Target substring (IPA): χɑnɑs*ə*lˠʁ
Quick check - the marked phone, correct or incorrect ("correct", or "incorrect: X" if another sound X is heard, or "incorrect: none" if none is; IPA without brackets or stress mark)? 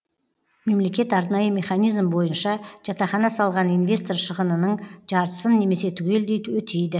incorrect: ɑ